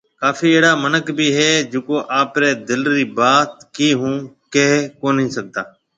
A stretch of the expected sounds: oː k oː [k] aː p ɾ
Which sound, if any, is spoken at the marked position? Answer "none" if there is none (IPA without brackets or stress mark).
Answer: ʔ